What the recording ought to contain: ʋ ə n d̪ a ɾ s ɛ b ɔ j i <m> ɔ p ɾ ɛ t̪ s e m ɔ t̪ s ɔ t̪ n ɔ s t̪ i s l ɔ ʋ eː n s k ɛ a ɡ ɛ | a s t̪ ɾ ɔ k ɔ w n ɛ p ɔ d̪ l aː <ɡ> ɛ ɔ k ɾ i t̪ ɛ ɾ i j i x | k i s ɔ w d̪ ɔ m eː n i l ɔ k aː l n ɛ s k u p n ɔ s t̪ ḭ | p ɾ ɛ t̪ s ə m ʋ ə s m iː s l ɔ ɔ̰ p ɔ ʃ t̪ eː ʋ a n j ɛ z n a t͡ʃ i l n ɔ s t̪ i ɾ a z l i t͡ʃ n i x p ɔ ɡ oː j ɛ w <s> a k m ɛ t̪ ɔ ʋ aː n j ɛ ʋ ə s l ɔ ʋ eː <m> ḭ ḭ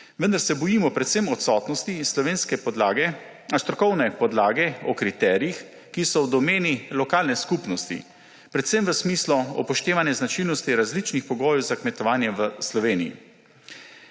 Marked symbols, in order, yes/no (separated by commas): yes, yes, no, no